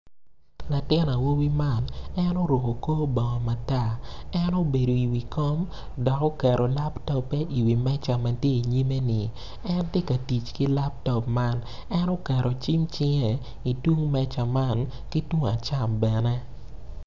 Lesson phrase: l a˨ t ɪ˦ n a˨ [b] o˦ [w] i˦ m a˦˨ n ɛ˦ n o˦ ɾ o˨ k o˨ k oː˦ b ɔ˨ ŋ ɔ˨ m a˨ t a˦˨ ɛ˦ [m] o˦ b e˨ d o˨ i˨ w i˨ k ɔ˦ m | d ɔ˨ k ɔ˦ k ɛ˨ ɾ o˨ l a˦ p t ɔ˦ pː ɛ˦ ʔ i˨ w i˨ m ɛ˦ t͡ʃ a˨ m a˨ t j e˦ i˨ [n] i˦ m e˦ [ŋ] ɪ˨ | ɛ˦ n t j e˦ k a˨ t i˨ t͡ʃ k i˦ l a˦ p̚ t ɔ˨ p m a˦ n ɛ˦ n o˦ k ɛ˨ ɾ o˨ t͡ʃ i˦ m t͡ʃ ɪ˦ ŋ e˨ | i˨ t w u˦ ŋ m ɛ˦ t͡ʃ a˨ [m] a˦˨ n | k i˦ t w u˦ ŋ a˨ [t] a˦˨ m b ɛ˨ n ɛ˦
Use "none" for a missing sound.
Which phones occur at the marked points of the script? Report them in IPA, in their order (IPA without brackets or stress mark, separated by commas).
w, w, n, ɲ, n, m, t͡ʃ